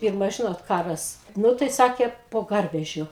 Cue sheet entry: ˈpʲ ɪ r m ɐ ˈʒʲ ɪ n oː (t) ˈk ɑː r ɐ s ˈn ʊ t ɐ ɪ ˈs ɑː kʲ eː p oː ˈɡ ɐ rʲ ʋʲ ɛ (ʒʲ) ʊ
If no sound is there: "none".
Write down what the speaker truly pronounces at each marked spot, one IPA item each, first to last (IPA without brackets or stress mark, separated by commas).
t, ʒʲ